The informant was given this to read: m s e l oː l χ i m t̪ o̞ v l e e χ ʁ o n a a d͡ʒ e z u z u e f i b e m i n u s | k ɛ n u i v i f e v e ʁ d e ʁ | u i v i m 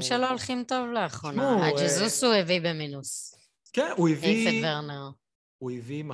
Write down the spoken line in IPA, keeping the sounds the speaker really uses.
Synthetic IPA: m ʃ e l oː l χ i m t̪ o̞ v l e a χ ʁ o n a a d͡ʒ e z u s u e v i b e m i n u s | k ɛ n u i v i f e v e ʁ n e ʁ | u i v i m